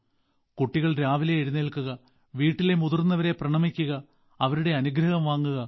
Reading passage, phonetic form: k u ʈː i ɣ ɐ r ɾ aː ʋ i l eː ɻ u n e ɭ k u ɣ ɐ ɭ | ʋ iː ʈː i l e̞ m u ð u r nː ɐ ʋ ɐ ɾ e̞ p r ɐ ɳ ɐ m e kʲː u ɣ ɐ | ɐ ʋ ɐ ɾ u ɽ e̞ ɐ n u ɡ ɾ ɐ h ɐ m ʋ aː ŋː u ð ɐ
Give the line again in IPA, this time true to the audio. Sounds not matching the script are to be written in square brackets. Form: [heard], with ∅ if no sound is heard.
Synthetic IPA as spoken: k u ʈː i ɣ ɐ [ɭ] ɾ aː ʋ i l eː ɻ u n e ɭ k u ɣ ɐ [∅] | ʋ iː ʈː i l e̞ m u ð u r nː ɐ ʋ ɐ ɾ e̞ p r ɐ ɳ ɐ m [i] kʲː u ɣ ɐ | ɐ ʋ ɐ ɾ u ɽ e̞ ɐ n u ɡ ɾ ɐ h ɐ m ʋ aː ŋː u [ɣ] ɐ